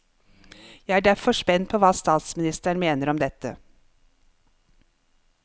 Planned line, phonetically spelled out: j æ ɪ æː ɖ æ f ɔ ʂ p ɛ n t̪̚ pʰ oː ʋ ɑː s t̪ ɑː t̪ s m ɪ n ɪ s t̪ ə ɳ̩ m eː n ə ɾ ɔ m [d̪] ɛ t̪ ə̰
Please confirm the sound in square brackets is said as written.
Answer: yes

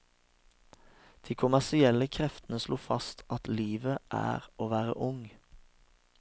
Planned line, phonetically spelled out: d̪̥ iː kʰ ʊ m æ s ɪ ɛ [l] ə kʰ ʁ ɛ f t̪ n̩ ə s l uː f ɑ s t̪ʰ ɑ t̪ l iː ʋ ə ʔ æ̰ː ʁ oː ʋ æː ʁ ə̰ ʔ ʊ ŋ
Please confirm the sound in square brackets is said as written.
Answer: yes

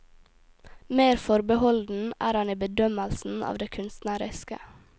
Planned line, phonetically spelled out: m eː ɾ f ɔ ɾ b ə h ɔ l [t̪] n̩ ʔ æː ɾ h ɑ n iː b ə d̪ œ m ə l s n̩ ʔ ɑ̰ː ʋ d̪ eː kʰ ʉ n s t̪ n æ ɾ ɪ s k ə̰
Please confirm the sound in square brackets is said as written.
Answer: no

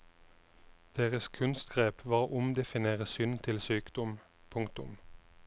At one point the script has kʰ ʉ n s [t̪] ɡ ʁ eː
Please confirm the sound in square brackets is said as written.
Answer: yes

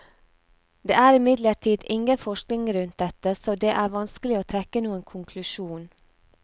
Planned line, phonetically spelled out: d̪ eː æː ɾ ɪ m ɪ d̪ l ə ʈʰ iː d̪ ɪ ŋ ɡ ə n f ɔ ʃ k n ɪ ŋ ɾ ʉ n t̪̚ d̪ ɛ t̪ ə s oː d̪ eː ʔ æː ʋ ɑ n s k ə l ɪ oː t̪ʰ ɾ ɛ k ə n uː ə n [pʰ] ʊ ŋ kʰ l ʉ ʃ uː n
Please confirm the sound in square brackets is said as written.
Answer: no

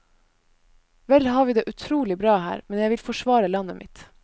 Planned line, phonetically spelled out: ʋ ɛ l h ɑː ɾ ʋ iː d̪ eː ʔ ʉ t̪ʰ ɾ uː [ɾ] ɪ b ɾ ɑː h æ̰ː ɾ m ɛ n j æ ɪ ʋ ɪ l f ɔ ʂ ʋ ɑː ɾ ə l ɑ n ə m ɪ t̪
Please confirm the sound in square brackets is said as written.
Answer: no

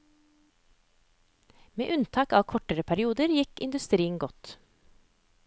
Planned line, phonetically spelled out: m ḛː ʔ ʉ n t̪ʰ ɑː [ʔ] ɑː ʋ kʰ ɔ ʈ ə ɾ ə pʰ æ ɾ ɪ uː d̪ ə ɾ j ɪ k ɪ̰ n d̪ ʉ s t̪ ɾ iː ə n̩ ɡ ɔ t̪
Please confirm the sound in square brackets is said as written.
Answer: no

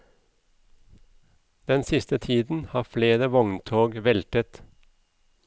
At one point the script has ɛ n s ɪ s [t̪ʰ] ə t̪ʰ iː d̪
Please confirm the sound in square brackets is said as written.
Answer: no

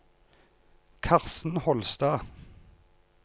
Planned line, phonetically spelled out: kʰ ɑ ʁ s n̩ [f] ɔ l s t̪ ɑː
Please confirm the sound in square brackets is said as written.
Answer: no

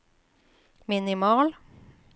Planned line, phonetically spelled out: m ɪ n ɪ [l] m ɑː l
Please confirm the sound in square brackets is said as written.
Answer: no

